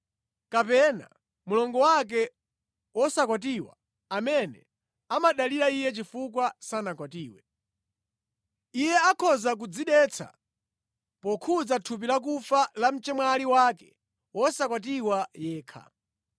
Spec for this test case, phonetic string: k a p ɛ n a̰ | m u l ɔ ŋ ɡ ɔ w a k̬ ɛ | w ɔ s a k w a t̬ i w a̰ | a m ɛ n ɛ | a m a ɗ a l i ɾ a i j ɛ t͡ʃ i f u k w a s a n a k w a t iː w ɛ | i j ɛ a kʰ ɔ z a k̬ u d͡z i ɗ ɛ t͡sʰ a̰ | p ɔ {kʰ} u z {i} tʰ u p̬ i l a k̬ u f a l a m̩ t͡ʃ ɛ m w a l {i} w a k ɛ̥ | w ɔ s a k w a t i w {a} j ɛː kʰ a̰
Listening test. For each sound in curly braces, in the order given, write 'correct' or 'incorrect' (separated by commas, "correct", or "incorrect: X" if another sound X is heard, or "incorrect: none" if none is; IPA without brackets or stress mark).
correct, incorrect: a, correct, correct